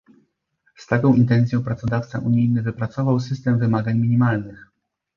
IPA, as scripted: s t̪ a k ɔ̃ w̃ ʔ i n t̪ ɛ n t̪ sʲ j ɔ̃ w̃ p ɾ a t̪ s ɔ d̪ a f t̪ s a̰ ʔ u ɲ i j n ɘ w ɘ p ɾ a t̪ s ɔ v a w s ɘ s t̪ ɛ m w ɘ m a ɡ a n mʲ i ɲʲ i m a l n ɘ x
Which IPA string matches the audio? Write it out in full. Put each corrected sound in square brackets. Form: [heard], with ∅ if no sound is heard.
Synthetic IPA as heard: s t̪ a k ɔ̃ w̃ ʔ i n t̪ ɛ n t̪ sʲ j ɔ̃ w̃ p ɾ a t̪ s ɔ d̪ a f t̪ s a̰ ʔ u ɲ i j n ɘ [v] ɘ p ɾ a t̪ s ɔ v a w s ɘ s t̪ ɛ m [v] ɘ m a ɡ a [ɲ] mʲ i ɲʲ i m a l n ɘ x